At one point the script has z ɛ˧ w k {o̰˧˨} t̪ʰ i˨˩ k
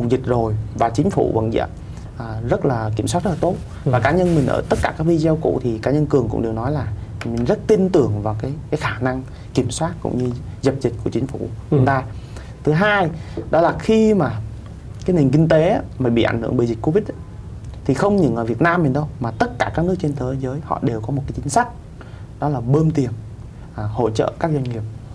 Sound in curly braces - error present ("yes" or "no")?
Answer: yes